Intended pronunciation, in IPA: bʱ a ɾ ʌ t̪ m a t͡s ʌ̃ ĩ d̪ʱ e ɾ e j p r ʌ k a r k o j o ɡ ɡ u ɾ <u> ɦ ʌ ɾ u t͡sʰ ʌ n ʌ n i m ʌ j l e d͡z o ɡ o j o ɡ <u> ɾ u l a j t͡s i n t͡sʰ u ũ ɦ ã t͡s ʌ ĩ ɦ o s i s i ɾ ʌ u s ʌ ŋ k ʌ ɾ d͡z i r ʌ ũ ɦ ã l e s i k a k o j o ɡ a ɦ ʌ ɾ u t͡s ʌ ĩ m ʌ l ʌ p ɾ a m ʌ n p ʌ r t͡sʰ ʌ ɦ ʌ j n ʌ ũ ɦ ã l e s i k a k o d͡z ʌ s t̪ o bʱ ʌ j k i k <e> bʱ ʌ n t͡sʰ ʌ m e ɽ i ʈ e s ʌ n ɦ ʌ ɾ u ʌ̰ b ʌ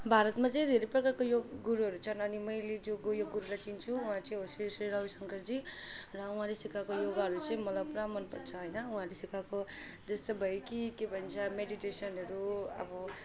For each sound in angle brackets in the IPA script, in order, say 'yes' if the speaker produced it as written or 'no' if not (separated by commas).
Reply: yes, yes, yes